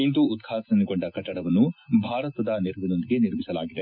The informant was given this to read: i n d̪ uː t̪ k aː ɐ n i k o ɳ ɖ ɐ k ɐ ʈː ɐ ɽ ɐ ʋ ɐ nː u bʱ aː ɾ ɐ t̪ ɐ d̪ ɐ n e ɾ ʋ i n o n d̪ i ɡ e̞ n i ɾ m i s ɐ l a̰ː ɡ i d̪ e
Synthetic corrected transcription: i n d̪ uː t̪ kʰ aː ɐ n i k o ɳ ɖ ɐ k ɐ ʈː ɐ ɽ ɐ ʋ ɐ nː u bʱ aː ɾ ɐ t̪ ɐ d̪ ɐ n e ɾ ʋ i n o n d̪ i ɡ e̞ n i ɾ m i s ɐ l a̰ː ɡ i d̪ e